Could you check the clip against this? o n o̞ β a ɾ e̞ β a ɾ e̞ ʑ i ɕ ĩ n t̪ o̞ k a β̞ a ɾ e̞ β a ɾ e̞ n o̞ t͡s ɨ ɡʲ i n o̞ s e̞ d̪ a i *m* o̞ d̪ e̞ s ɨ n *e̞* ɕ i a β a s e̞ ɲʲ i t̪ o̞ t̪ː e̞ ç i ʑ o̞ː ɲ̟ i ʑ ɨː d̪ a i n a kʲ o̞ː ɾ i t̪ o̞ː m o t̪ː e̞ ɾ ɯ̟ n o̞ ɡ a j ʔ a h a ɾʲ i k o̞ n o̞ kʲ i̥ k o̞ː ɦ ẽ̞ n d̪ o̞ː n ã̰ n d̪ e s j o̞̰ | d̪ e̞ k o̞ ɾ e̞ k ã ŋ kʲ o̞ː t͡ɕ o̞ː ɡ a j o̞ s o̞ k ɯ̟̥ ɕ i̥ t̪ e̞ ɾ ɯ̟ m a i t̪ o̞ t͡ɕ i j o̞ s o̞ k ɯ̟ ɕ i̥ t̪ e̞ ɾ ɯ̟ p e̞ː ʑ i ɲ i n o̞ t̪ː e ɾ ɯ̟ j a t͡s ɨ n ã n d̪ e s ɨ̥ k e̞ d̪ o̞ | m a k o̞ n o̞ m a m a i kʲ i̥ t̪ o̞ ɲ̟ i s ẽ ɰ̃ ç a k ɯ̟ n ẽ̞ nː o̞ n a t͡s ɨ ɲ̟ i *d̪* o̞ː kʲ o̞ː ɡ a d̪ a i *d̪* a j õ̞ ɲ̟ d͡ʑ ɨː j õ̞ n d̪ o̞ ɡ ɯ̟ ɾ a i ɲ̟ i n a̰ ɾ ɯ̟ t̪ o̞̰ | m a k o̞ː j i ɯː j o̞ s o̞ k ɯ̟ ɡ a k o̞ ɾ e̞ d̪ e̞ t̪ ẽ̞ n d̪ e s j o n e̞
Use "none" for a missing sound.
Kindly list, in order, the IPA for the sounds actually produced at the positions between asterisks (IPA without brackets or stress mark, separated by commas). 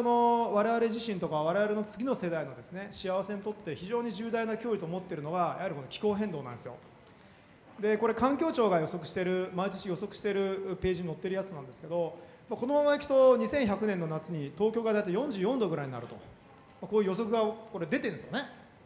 n, e̞, t̪, t̪